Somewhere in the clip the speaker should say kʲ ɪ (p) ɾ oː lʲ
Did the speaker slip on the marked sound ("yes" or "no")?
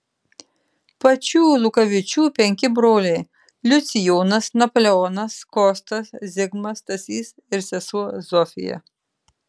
yes